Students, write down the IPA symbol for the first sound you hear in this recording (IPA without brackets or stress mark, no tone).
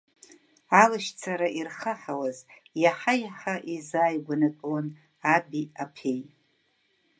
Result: a